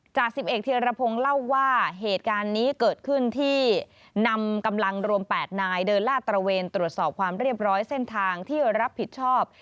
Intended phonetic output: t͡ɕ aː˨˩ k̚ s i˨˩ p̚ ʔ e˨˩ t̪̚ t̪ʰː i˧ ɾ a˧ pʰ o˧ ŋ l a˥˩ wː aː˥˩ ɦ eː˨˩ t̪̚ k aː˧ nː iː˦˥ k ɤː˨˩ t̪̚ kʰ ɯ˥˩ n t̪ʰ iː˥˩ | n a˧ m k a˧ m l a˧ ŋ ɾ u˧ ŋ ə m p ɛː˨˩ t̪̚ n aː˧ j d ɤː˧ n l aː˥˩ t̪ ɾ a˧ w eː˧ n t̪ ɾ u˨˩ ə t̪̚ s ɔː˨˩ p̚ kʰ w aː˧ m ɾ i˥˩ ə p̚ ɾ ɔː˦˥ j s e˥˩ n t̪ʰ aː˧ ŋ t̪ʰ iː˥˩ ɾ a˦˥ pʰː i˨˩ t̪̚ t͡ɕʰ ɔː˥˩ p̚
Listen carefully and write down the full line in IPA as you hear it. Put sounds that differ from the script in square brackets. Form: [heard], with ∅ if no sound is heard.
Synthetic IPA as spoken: t͡ɕ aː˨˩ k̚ s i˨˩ p̚ ʔ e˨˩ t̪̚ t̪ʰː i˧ ɾ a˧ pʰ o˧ ŋ l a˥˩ wː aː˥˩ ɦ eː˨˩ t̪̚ k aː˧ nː iː˦˥ k ɤː˨˩ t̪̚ kʰ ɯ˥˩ n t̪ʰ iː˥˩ | n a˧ m k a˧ m l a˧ ŋ ɾ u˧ [∅] ə m p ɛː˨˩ t̪̚ n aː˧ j d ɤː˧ n l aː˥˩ t̪ ɾ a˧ w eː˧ n t̪ ɾ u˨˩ ə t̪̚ s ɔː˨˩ p̚ kʰ w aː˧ m ɾ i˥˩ ə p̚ ɾ ɔː˦˥ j s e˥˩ n t̪ʰ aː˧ ŋ t̪ʰ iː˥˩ ɾ a˦˥ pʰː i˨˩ t̪̚ t͡ɕʰ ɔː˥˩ p̚